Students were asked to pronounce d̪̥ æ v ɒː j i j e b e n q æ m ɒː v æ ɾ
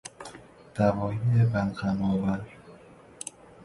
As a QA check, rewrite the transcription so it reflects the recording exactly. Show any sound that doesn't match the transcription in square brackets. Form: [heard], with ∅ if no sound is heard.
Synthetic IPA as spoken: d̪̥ æ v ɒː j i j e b [æ] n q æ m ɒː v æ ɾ